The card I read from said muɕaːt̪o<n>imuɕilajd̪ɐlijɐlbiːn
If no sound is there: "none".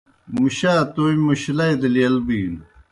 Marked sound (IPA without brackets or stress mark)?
none